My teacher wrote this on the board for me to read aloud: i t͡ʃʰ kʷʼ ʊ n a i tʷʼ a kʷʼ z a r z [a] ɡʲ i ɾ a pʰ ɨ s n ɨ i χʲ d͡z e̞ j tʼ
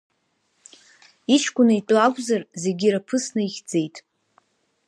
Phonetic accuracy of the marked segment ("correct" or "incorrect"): incorrect